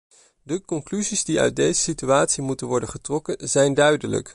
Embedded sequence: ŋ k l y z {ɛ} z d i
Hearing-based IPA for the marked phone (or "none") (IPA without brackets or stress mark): i